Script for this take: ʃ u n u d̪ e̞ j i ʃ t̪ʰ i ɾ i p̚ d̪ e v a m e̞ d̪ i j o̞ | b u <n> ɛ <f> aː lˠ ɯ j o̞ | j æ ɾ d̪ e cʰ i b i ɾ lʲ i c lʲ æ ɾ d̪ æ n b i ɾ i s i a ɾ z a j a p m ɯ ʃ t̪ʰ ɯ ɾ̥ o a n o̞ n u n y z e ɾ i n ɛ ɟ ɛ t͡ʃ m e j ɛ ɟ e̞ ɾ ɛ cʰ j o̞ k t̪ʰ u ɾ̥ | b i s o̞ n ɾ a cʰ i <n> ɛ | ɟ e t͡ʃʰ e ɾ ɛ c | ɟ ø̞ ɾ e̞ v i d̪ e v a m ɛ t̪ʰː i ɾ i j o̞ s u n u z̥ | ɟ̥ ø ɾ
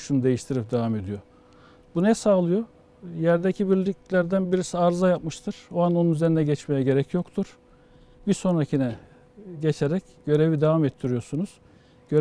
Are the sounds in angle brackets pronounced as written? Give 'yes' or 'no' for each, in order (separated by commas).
yes, no, yes